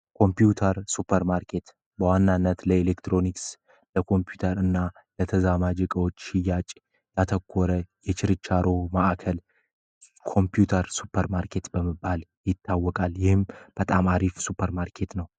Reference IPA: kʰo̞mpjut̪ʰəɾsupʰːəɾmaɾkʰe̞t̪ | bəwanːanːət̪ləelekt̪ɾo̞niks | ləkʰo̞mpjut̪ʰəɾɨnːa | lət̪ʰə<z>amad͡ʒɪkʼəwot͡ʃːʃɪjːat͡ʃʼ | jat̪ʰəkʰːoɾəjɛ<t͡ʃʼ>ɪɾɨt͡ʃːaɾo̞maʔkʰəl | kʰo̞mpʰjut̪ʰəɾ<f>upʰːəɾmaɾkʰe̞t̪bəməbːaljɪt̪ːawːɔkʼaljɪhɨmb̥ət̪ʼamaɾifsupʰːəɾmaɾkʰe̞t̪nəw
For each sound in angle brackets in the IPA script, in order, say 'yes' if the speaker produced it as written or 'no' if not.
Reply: yes, no, no

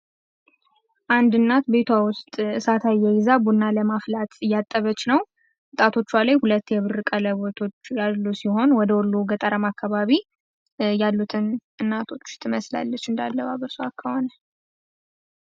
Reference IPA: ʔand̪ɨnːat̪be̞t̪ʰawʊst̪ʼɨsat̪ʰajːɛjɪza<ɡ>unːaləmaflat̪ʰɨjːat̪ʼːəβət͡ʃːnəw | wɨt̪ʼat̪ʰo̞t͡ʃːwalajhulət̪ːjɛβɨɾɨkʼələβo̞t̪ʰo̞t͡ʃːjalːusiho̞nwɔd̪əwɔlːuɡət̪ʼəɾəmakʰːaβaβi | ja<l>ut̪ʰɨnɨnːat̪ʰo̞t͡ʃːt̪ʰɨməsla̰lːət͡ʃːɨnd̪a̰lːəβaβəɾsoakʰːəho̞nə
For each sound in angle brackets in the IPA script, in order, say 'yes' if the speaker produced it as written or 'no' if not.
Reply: no, no

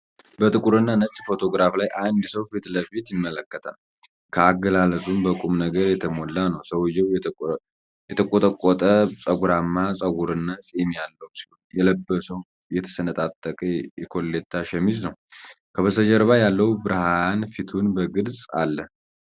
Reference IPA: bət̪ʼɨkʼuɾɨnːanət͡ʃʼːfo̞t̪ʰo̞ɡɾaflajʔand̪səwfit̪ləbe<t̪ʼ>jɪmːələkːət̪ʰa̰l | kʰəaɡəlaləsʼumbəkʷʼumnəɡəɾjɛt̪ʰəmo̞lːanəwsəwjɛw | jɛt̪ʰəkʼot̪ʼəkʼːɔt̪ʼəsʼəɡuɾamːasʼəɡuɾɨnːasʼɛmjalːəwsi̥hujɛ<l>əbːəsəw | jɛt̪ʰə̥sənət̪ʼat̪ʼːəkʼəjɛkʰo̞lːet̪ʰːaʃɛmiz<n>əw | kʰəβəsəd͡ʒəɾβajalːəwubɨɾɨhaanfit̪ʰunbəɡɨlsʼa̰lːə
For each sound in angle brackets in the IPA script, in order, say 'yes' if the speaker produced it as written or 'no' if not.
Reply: no, yes, yes

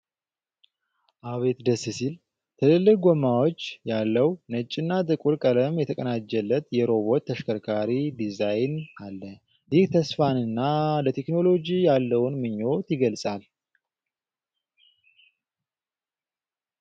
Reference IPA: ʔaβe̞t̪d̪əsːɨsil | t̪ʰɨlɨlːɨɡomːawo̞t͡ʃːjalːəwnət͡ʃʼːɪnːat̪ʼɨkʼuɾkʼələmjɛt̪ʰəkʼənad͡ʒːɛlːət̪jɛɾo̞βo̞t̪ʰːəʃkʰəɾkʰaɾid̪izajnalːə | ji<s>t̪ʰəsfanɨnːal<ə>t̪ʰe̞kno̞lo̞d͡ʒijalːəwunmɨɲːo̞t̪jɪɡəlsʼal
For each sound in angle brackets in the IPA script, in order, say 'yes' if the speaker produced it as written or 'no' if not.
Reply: no, yes

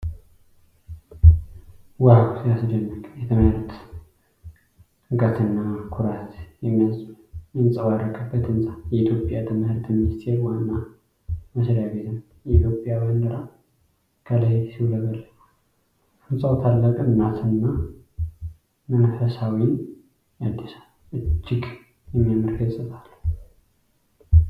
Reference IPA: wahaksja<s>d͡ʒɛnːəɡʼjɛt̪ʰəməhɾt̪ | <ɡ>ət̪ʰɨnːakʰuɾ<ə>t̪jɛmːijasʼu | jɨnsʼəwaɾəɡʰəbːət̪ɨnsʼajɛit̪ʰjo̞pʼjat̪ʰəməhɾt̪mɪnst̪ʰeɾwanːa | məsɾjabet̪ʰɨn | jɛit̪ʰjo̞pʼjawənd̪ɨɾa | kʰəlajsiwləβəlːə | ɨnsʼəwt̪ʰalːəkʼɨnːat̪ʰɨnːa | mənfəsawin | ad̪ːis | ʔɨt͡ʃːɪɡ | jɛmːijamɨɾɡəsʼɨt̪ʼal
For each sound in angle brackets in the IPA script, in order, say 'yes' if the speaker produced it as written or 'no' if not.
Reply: yes, yes, no

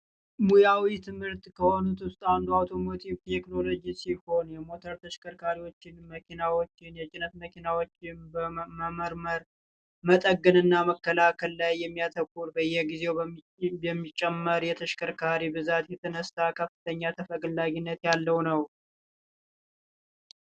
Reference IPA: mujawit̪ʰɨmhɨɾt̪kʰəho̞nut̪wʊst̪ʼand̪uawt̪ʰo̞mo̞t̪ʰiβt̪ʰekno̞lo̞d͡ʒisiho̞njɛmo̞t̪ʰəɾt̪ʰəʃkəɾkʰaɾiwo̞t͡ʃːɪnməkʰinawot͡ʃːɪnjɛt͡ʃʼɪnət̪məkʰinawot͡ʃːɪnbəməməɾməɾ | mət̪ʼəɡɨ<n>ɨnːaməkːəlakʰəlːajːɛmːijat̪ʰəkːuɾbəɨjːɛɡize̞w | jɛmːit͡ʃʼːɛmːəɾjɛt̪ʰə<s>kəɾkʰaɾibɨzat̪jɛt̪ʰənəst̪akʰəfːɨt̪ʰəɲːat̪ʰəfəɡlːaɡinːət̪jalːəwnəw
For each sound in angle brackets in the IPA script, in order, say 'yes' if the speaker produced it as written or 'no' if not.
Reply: yes, no

